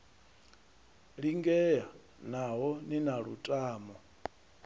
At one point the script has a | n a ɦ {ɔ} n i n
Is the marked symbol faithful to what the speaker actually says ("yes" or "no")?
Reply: yes